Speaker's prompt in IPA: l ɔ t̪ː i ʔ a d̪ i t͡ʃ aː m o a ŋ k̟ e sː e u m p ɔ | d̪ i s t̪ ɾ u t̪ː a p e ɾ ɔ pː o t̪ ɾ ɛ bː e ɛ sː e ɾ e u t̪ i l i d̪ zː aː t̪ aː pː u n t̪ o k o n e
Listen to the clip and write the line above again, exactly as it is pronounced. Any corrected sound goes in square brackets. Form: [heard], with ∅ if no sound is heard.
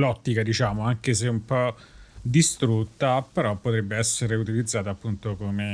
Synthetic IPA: l ɔ t̪ː i [k] a d̪ i t͡ʃ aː m o a ŋ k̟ e [s] e u m p ɔ | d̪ i s t̪ ɾ u t̪ː a p e ɾ ɔ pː o t̪ ɾ ɛ bː e ɛ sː e ɾ e u t̪ i l i d̪ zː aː t̪ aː pː u n t̪ o k o [m] e